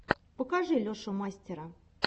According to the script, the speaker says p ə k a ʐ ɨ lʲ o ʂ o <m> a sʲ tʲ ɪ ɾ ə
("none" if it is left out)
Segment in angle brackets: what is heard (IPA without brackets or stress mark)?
m